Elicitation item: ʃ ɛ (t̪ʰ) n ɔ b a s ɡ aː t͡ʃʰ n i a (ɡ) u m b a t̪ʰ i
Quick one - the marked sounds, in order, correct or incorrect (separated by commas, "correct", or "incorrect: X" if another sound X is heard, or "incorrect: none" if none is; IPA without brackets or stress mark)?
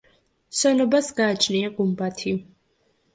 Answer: incorrect: none, correct